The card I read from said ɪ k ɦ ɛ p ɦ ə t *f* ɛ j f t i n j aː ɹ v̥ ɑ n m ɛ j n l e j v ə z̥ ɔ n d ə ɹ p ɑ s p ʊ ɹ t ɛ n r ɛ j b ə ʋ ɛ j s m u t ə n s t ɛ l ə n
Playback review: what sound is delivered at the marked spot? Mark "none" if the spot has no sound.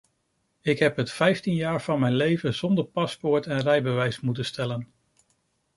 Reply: f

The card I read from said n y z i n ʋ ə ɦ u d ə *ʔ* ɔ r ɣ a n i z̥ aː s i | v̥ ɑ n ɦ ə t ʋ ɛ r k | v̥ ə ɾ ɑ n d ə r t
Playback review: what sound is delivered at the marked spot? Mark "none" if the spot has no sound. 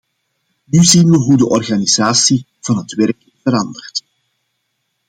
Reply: ʔ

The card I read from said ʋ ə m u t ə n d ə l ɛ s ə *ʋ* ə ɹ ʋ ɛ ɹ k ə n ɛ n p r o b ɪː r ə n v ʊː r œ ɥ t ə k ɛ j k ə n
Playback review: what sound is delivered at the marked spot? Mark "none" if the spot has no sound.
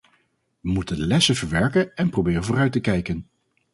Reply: v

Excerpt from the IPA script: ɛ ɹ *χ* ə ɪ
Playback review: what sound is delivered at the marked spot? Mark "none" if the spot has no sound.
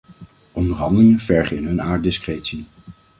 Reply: χ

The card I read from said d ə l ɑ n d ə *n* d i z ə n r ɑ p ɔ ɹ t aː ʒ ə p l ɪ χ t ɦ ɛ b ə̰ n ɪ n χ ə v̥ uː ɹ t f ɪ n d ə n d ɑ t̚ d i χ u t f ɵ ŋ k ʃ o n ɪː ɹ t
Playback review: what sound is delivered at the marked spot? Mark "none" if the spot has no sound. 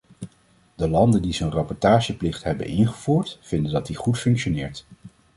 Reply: n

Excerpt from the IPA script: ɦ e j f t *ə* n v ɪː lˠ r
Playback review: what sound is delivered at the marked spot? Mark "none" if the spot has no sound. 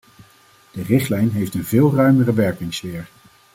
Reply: ə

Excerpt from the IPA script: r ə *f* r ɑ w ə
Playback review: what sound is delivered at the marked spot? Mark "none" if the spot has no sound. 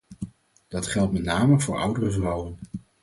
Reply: v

